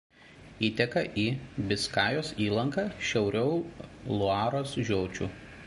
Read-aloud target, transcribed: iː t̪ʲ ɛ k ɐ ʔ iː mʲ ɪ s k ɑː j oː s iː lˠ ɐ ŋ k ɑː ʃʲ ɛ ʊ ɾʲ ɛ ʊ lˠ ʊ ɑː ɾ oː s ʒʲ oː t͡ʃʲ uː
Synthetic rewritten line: iː t̪ʲ ɛ k ɐ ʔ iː bʲ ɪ s k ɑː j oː s iː lˠ ɐ ŋ k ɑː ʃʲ ɛ ʊ ɾʲ ɛ ʊ lˠ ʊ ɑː ɾ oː s ʒʲ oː t͡ʃʲ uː

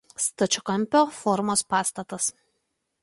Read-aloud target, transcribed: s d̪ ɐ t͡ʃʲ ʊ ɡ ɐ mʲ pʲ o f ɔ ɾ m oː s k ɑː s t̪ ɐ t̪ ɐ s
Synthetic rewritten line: s t̪ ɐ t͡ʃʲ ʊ k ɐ mʲ pʲ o f ɔ ɾ m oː s p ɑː s t̪ ɐ t̪ ɐ s

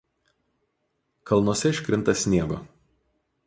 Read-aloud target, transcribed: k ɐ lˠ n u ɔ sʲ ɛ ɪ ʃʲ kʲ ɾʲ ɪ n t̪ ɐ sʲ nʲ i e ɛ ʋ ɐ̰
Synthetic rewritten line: k ɐ lˠ n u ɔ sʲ ɛ ɪ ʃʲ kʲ ɾʲ ɪ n t̪ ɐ sʲ nʲ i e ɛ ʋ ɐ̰

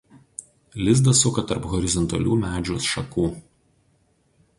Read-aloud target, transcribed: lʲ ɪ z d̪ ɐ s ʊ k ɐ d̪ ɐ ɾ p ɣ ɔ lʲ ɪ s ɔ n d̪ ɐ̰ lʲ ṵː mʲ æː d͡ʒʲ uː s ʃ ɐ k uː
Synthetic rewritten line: lʲ ɪ z d̪ ɐ s ʊ k ɐ t̪ ɐ ɾ p ɣ ɔ ɾʲ ɪ z ɔ n t̪ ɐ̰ lʲ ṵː mʲ æː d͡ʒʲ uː s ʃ ɐ k uː

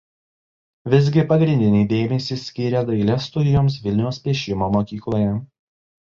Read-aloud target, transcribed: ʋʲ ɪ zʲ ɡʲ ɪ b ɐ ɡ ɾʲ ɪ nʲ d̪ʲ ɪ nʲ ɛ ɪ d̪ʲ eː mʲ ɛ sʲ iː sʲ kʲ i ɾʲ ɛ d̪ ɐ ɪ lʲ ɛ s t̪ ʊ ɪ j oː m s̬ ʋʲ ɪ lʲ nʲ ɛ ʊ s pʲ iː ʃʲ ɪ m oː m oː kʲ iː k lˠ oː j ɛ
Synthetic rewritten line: ʋʲ ɪ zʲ ɡʲ ɪ p ɐ ɡ ɾʲ ɪ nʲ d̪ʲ ɪ nʲ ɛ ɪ d̪ʲ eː mʲ ɛ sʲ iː sʲ kʲ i ɾʲ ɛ d̪ ɐ ɪ lʲ ɛ s t̪ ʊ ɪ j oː m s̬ ʋʲ ɪ lʲ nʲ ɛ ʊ s pʲ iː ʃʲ ɪ m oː m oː kʲ iː k lˠ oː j ɛ

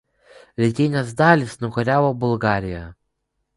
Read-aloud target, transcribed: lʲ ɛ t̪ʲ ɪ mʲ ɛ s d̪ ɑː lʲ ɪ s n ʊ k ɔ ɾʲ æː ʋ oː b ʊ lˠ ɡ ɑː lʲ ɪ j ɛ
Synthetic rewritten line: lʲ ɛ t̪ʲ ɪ nʲ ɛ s d̪ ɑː lʲ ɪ s n ʊ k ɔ ɾʲ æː ʋ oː b ʊ lˠ ɡ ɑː ɾʲ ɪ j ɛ

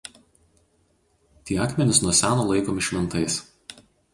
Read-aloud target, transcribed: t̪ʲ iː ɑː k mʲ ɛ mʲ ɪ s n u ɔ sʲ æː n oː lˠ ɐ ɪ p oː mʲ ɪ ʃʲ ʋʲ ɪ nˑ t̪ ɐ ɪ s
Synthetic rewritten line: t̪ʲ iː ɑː k mʲ ɛ nʲ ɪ s n u ɔ sʲ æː n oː lˠ ɐ ɪ k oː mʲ ɪ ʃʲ ʋʲ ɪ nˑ t̪ ɐ ɪ s

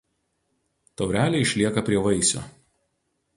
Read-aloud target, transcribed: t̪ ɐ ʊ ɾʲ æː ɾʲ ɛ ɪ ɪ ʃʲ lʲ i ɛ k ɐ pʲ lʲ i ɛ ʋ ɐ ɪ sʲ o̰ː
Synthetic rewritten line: t̪ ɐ ʊ ɾʲ æː lʲ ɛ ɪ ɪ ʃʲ lʲ i ɛ k ɐ pʲ ɾʲ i ɛ ʋ ɐ ɪ sʲ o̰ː

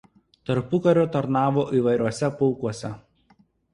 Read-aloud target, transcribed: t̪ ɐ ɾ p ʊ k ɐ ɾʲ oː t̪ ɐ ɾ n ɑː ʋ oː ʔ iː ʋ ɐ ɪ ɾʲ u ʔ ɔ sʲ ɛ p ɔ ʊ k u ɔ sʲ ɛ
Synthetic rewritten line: t̪ ɐ ɾ p ʊ k ɐ ɾʲ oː t̪ ɐ ɾ n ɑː ʋ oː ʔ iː ʋ ɐ ɪ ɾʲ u ɔ sʲ ɛ p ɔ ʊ k u ɔ sʲ ɛ

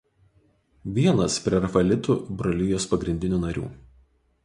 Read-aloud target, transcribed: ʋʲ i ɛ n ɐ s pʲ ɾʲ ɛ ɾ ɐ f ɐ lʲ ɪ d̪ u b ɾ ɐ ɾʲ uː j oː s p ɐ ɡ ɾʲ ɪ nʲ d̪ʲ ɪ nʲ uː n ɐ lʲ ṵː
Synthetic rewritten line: ʋʲ i ɛ n ɐ s pʲ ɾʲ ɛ ɾ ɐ f ɐ lʲ ɪ t̪ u b ɾ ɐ lʲ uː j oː s p ɐ ɡ ɾʲ ɪ nʲ d̪ʲ ɪ nʲ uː n ɐ ɾʲ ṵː

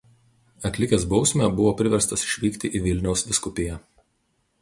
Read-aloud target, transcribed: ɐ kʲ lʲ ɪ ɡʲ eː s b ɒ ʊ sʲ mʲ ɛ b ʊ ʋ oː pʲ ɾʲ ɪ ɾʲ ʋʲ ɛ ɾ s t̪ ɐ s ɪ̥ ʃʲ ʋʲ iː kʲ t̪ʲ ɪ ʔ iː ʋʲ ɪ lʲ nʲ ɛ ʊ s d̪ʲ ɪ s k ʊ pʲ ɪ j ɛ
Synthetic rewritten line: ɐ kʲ lʲ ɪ kʲ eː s b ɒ ʊ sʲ mʲ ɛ b ʊ ʋ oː pʲ ɾʲ ɪ ʋʲ ɛ ɾ s t̪ ɐ s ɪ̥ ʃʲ ʋʲ iː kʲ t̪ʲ ɪ ʔ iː ʋʲ ɪ lʲ nʲ ɛ ʊ s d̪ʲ ɪ s k ʊ pʲ ɪ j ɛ

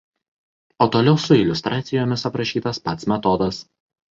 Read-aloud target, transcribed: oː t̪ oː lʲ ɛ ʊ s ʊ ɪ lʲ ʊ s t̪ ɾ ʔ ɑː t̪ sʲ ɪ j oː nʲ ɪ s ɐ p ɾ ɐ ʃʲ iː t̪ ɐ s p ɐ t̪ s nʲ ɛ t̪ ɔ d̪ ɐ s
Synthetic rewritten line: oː t̪ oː lʲ ɛ ʊ s ʊ ɪ lʲ ʊ s t̪ ɾ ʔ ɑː t̪ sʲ ɪ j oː mʲ ɪ s ɐ p ɾ ɐ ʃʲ iː t̪ ɐ s p ɐ t̪ s mʲ ɛ t̪ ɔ d̪ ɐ s

